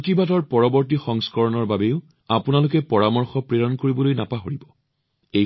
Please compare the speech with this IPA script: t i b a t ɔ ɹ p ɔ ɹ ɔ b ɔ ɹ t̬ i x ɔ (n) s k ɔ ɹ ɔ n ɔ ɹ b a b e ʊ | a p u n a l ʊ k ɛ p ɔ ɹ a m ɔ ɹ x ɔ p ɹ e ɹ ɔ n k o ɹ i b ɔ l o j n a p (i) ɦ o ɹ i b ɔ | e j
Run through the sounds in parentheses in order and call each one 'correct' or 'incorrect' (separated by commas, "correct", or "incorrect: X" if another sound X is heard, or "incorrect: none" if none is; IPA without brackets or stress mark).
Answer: incorrect: ŋ, incorrect: a